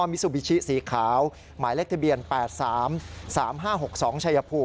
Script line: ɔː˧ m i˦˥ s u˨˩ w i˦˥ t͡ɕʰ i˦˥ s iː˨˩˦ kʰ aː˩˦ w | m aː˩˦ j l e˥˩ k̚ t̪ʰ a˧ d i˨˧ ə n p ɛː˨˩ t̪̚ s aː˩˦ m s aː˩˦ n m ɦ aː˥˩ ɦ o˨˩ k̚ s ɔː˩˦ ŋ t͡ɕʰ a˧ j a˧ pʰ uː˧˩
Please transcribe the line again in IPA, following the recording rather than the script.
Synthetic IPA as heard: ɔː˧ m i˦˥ s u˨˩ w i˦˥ t͡ɕʰ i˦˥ s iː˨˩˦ kʰ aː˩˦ w | m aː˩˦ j l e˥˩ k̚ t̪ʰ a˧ b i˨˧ ə n p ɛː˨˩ t̪̚ s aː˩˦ m s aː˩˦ m ɦ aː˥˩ ɦ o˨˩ k̚ s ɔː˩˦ ŋ t͡ɕʰ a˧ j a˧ pʰ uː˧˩